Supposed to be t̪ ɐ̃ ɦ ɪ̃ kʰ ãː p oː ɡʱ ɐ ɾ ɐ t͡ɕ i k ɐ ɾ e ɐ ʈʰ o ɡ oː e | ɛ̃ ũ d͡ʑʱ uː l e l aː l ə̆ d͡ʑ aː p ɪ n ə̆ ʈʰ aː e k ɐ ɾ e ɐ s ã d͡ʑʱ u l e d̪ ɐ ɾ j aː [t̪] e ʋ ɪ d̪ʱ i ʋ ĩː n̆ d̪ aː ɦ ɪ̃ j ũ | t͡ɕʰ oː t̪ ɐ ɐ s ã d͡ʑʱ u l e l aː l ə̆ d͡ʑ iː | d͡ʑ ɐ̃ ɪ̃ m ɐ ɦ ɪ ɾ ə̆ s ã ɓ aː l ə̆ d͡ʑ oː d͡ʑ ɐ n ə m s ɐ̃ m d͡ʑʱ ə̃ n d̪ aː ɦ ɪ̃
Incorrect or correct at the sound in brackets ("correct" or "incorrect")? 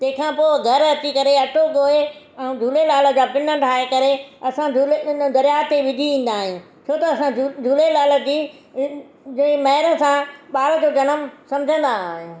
correct